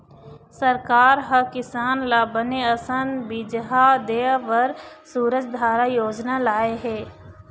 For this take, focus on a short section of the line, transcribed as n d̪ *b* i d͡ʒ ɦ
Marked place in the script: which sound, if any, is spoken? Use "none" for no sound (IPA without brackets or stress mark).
b